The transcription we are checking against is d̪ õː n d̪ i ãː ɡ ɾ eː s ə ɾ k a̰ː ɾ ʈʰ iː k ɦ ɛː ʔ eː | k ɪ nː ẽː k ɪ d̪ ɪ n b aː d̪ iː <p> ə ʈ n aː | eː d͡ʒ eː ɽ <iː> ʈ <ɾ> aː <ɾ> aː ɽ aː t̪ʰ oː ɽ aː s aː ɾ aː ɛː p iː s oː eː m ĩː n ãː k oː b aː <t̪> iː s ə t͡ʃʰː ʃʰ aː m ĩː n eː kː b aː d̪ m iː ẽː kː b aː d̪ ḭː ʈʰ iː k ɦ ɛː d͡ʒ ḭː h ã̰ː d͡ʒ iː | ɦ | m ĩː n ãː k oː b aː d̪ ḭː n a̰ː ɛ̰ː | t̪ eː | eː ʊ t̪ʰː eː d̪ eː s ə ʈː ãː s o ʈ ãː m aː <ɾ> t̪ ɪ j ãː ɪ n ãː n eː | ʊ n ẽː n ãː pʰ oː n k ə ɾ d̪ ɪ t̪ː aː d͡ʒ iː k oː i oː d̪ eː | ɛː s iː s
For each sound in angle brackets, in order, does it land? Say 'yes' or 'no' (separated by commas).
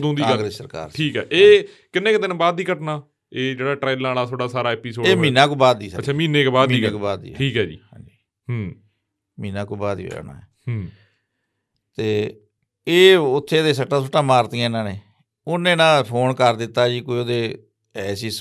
no, no, yes, no, no, yes